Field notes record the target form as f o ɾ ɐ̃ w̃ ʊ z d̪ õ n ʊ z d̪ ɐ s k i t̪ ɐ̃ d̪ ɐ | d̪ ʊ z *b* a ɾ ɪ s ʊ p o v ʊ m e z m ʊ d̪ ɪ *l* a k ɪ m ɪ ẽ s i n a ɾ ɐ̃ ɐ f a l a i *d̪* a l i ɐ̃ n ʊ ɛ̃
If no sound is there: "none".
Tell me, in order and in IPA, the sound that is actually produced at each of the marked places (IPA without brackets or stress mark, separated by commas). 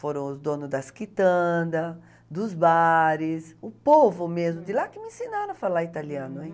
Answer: b, l, t̪